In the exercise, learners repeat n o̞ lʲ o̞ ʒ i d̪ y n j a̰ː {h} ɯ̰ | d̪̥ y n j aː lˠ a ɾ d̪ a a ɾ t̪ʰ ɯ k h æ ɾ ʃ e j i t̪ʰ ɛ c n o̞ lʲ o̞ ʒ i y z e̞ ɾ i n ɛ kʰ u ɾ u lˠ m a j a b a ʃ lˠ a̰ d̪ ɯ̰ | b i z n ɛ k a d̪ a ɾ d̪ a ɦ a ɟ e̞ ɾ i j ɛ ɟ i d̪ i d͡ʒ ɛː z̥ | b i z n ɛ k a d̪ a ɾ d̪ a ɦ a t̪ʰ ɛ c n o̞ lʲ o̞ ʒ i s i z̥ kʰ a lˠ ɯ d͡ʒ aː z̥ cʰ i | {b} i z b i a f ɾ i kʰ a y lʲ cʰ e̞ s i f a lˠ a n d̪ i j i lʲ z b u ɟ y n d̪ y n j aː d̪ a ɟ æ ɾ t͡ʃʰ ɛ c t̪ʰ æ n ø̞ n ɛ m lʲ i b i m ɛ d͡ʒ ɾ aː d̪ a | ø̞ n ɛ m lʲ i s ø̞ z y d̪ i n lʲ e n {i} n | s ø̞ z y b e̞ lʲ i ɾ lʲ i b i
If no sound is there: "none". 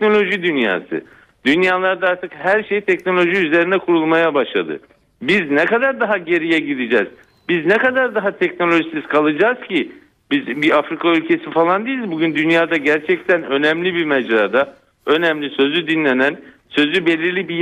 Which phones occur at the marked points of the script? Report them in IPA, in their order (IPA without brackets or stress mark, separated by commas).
s, b, æ